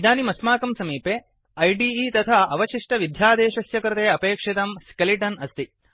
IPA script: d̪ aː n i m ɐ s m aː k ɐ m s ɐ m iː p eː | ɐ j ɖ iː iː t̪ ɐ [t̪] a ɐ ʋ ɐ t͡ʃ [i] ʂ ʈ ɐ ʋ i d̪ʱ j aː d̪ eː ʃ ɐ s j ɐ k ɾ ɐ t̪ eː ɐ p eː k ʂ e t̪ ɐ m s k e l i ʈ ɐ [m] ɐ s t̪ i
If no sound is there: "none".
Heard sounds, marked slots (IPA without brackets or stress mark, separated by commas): t̪ʰ, i, n